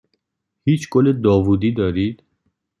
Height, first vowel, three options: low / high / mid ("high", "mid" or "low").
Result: high